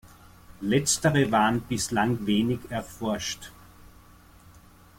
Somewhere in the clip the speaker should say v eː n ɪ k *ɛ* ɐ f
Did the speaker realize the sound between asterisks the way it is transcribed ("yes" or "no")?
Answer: yes